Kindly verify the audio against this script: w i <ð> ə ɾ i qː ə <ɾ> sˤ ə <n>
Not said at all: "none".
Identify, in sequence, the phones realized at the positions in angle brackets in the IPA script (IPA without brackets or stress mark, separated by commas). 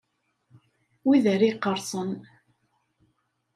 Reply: ð, ɾ, n